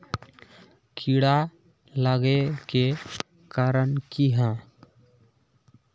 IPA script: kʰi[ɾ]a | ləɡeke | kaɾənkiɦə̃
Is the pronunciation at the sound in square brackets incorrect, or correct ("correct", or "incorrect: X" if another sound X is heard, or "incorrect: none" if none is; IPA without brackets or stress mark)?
incorrect: ɽ